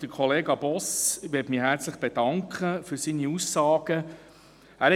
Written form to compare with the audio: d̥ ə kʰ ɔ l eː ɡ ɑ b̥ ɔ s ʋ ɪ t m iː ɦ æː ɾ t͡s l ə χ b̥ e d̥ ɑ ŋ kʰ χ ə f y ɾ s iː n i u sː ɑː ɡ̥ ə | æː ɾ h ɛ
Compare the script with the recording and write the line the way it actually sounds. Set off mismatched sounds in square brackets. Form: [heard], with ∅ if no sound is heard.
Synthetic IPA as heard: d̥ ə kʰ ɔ l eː ɡ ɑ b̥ ɔ s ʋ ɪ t m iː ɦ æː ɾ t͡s l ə χ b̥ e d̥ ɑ ŋ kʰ χ ə f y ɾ s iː n i u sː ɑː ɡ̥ ə | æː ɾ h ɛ